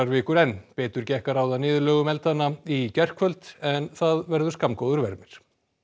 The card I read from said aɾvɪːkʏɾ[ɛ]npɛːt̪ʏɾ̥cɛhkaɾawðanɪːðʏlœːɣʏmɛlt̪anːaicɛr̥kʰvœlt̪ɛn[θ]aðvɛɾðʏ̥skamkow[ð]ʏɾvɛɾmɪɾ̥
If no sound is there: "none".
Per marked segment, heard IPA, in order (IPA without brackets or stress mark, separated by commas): ɛ, θ, ð